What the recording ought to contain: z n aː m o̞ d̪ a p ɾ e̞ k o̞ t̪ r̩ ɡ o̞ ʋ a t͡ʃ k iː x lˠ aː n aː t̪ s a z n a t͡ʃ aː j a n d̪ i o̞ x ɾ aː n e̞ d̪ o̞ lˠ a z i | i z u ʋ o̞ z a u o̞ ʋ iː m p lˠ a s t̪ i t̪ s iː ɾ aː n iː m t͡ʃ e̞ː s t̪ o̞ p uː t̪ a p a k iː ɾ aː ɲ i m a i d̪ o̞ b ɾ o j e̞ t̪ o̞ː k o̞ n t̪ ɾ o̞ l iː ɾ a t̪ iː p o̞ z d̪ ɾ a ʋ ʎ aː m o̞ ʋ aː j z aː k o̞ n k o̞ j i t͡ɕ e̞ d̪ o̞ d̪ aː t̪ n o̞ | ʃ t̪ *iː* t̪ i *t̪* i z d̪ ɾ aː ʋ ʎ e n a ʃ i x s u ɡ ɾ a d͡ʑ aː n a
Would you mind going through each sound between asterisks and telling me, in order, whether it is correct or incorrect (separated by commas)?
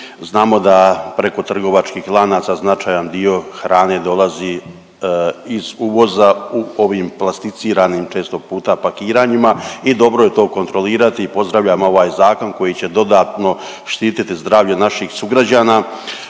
correct, correct